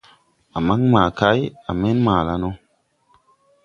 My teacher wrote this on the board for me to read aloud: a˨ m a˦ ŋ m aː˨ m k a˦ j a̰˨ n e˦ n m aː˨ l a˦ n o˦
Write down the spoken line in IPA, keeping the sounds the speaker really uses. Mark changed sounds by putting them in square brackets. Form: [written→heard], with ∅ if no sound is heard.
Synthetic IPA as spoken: a˨ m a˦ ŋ m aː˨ [m→∅] k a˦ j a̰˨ [n→m] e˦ n m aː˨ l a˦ n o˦